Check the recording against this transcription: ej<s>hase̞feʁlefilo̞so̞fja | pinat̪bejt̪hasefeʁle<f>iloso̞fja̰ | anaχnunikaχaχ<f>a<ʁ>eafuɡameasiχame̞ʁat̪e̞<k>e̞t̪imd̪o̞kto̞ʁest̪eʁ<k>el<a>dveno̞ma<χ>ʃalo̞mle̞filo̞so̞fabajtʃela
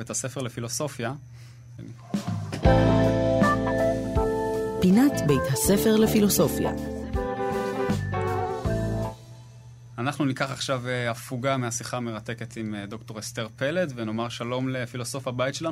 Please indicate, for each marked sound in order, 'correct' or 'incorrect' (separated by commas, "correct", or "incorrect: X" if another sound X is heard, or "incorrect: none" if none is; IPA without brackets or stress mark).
incorrect: t, correct, incorrect: ʃ, incorrect: v, correct, incorrect: p, incorrect: e, incorrect: ʁ